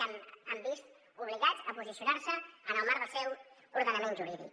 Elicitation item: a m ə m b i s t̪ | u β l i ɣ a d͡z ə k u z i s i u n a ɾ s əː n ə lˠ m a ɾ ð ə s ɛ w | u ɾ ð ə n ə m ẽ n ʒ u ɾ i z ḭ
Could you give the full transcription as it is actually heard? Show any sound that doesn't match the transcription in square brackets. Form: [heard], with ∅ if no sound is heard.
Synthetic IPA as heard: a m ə m b i s t̪ | u β l i ɣ a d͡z ə [p] u z i s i u n a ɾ s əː n ə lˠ m a ɾ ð ə s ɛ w | u ɾ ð ə n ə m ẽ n ʒ u ɾ i [ð] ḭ